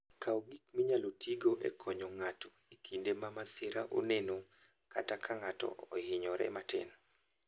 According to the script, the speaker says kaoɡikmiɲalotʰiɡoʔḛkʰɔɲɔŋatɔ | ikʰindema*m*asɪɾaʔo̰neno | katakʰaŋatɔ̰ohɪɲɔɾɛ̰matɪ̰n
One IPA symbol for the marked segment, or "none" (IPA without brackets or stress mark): m